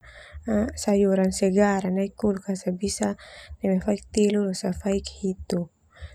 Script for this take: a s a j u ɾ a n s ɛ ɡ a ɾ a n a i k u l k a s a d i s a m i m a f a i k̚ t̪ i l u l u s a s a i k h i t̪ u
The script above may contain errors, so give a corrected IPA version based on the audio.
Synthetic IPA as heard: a s a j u ɾ a n s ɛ ɡ a ɾ a n a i k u l k a s a b i s a n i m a f a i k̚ t̪ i l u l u s a f a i k h i t̪ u